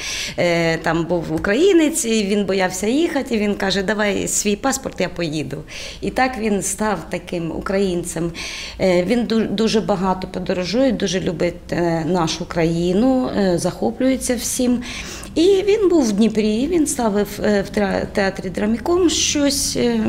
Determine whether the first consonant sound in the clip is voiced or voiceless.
voiceless